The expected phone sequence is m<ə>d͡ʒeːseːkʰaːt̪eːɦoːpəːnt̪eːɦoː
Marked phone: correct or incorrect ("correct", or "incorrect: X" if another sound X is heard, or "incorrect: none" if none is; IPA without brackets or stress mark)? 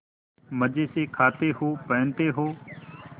correct